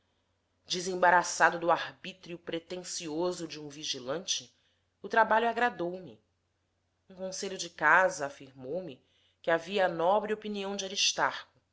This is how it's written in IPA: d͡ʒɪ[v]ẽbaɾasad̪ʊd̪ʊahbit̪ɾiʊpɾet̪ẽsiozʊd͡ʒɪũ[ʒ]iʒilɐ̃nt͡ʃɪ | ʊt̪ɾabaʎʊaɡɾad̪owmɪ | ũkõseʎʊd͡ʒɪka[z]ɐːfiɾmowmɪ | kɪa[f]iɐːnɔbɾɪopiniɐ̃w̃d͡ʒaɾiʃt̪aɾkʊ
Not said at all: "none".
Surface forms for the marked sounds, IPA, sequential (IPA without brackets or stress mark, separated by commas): z, v, z, v